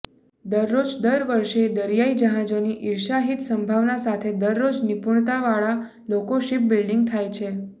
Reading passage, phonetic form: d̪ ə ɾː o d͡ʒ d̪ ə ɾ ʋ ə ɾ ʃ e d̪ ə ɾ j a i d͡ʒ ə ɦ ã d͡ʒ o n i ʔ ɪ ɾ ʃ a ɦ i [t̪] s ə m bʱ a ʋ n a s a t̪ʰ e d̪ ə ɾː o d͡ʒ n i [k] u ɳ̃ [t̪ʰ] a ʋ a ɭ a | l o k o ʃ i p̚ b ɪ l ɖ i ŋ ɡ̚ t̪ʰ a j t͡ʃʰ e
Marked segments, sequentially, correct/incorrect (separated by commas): correct, incorrect, incorrect